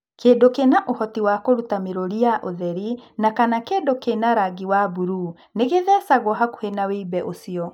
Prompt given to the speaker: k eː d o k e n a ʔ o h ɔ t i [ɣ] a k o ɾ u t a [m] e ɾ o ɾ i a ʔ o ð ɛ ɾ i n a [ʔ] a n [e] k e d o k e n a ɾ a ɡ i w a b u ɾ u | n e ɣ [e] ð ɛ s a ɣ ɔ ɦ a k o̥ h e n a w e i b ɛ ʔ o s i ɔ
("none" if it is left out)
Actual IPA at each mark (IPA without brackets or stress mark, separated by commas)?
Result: w, m, k, a, e